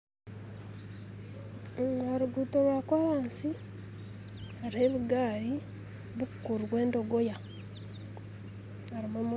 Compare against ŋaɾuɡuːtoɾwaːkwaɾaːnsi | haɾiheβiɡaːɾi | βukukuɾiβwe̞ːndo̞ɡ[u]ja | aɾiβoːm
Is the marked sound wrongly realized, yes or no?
yes